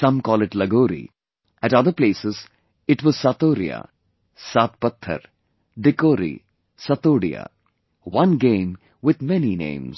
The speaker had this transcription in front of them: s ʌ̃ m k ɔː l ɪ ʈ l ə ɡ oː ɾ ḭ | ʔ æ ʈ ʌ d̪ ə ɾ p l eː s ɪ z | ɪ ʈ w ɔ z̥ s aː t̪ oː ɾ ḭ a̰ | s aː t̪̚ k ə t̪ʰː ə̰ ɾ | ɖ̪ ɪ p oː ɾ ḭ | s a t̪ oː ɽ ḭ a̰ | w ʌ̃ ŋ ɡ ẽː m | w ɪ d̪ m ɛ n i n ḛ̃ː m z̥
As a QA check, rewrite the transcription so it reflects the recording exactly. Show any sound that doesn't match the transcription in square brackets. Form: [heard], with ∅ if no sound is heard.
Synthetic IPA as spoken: s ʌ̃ m k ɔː l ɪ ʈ l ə ɡ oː ɾ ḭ | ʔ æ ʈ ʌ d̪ ə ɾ p l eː s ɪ z | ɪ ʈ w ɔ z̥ s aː t̪ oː ɾ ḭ a̰ | s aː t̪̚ [p] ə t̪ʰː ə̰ ɾ | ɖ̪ ɪ [k] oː ɾ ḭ | s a t̪ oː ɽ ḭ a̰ | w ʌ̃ [n] ɡ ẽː m | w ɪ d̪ m ɛ n i n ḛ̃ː m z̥